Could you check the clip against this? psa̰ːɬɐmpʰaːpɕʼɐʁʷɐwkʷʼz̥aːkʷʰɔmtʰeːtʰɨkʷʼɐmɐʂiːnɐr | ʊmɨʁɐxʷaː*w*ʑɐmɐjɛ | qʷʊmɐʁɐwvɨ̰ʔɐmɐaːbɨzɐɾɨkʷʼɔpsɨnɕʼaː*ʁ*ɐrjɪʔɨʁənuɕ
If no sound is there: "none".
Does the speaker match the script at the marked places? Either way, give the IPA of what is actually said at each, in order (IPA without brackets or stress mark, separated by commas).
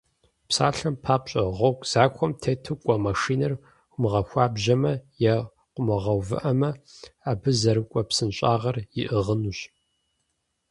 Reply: b, ʁ